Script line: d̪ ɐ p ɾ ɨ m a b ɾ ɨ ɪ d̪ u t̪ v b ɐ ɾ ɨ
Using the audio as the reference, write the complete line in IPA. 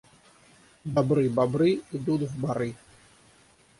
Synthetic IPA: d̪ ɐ b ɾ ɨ b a b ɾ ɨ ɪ d̪ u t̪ v b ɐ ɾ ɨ